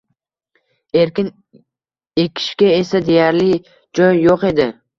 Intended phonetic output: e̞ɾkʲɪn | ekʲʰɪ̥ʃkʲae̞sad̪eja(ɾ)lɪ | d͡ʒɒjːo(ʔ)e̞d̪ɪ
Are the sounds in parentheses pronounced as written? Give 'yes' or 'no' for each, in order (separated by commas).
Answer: yes, no